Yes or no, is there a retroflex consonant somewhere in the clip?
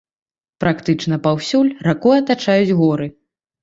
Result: yes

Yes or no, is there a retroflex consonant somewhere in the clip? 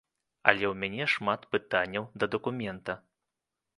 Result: yes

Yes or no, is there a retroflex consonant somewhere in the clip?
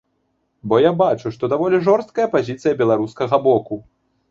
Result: yes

